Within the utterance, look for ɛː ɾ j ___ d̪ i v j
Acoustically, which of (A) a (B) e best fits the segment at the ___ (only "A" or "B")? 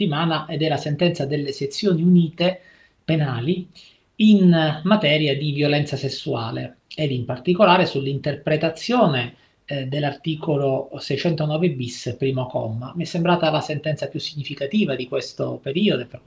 A